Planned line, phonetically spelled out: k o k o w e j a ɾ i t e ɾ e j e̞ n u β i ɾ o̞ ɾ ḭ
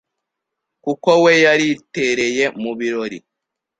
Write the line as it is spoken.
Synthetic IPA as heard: k u k o w e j a ɾ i t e ɾ e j e̞ m u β i ɾ o̞ ɾ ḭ